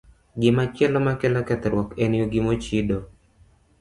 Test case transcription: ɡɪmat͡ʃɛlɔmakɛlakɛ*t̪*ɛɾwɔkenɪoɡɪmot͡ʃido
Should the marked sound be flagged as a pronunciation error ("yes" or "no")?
no